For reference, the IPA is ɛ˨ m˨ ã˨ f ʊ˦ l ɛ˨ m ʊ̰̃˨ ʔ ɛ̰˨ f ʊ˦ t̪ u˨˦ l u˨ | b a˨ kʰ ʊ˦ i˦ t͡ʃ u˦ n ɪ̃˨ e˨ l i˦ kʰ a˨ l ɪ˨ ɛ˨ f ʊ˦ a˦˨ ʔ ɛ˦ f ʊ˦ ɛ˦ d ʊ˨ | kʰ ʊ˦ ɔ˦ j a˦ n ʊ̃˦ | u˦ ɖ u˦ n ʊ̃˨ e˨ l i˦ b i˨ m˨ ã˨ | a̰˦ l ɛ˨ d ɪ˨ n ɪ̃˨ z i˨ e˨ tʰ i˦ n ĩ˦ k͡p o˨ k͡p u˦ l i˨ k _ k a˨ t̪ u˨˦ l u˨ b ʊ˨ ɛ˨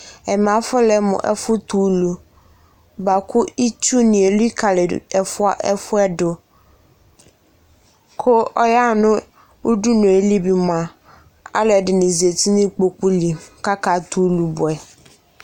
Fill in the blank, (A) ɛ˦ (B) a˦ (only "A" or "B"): B